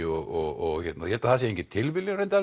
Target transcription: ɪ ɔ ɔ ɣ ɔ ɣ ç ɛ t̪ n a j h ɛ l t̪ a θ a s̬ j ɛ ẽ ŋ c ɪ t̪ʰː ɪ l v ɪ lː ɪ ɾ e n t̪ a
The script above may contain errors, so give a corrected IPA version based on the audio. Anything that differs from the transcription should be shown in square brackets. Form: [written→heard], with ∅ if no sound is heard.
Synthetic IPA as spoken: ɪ ɔ ɔ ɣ ɔ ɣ ç ɛ t̪ n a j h ɛ l t̪ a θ a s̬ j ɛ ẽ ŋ c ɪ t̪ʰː ɪ l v ɪ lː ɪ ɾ e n t̪ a

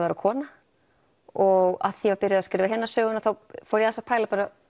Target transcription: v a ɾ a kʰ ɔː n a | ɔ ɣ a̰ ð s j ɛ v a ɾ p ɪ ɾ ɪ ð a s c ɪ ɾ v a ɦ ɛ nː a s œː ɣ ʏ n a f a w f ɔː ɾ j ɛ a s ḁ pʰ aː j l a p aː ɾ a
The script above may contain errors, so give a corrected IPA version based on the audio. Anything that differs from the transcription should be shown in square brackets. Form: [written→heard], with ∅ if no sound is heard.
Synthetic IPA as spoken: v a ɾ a kʰ ɔː n a | ɔ ɣ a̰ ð [s→θ] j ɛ v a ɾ p ɪ ɾ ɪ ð a s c ɪ ɾ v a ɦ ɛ nː a s œː ɣ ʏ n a [f→θ] a w f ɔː ɾ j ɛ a s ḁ pʰ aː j l a p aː ɾ a

